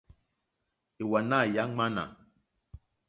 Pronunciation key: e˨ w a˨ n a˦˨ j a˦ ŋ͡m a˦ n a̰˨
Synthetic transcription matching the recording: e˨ w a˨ n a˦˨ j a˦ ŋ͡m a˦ n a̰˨